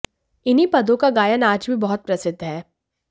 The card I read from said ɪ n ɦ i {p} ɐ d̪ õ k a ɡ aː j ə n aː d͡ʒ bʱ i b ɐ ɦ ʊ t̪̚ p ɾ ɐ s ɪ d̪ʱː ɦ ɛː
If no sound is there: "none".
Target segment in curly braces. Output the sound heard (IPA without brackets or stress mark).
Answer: p